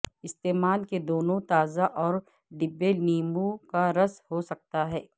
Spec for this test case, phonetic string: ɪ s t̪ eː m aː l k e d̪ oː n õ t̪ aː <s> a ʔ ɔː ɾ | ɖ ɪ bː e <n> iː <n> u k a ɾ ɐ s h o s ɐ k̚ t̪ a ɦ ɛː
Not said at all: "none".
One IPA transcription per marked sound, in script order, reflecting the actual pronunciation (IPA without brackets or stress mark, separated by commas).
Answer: z, n, m